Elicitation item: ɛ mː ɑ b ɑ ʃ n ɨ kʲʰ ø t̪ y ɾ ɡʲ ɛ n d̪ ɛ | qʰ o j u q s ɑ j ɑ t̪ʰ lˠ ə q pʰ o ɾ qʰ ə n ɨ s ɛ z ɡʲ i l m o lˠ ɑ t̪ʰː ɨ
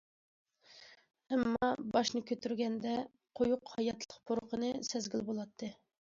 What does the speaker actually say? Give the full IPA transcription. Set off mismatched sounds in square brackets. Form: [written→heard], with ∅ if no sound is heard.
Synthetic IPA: ɛ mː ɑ b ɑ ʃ n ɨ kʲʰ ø t̪ y ɾ ɡʲ ɛ n d̪ ɛ | qʰ o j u q [s→h] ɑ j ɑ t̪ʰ lˠ ə q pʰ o ɾ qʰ ə n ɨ s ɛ z ɡʲ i l [m→b] o lˠ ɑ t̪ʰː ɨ